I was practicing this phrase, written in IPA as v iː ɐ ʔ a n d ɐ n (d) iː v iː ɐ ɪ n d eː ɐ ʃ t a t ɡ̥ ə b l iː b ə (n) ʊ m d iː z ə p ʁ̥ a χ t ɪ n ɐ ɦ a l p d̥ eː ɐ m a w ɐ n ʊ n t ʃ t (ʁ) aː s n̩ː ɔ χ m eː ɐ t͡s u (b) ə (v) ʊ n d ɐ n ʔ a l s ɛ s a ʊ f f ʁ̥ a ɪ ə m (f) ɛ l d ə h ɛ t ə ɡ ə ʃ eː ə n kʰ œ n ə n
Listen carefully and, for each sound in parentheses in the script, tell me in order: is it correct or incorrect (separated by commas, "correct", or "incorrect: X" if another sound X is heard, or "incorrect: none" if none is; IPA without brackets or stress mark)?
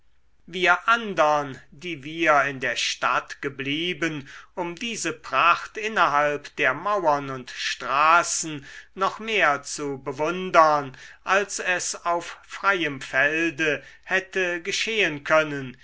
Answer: correct, correct, correct, correct, correct, correct